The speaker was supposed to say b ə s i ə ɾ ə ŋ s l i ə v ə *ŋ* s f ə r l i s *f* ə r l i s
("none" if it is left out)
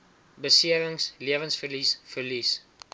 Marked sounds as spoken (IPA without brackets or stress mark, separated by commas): n, f